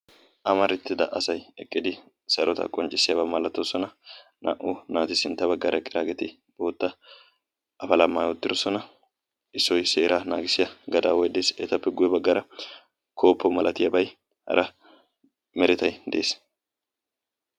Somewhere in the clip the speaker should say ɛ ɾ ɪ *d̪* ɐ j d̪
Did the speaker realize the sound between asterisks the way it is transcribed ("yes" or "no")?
no